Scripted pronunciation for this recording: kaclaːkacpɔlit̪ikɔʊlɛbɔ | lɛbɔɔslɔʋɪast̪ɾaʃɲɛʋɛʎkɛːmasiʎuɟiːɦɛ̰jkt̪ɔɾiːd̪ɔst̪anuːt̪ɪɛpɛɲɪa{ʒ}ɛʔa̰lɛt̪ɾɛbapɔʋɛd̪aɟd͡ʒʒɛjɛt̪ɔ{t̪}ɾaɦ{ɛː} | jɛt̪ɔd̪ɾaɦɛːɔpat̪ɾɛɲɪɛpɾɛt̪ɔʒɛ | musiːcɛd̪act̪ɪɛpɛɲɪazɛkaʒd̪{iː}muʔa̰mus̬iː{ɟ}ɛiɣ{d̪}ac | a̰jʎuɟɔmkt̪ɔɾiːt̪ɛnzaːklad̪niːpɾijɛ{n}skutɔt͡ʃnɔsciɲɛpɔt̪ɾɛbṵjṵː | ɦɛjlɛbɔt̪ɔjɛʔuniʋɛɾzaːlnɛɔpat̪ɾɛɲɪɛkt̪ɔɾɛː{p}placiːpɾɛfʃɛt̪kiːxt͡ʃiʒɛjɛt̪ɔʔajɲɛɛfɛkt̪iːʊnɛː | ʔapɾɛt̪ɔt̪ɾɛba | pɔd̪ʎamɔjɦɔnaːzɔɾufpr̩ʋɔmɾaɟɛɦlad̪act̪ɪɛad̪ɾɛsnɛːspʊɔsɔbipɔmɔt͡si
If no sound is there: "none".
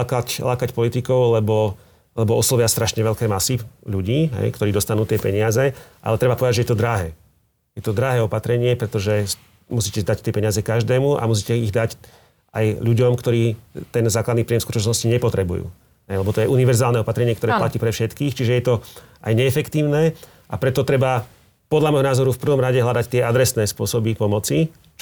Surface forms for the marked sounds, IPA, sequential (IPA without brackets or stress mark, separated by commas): z, d̪, ɛː, ɛː, c, d̪, m, p